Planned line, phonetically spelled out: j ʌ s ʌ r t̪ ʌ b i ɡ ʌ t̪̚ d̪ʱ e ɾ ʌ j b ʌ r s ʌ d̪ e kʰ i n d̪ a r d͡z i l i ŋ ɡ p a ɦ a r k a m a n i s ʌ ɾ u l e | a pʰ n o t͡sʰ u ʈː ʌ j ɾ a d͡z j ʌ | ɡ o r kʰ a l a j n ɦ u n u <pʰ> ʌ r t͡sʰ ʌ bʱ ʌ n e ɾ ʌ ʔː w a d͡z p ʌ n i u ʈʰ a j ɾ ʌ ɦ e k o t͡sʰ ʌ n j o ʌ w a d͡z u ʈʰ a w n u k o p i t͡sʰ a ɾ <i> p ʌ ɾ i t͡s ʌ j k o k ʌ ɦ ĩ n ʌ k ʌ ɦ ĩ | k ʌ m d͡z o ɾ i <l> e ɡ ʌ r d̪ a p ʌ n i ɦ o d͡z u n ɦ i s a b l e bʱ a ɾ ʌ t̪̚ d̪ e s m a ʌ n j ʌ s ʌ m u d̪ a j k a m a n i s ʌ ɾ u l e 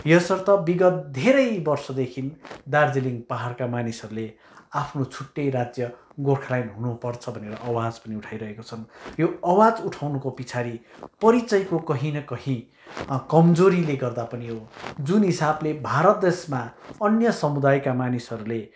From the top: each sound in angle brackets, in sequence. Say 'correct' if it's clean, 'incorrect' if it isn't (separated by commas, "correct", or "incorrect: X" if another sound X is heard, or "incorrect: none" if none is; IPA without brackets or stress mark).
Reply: incorrect: p, correct, correct